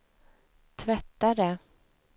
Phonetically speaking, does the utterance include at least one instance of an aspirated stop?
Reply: yes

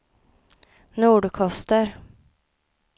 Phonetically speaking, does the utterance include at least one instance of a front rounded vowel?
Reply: no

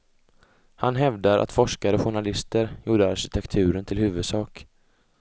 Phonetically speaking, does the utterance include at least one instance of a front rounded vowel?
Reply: no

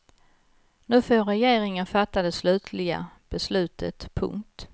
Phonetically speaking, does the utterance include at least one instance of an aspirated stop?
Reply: yes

